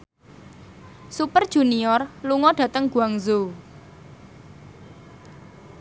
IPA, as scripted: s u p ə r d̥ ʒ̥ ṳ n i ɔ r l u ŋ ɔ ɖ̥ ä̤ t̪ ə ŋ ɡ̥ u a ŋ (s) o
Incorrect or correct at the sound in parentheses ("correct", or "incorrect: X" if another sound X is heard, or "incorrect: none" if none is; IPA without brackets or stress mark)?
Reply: incorrect: z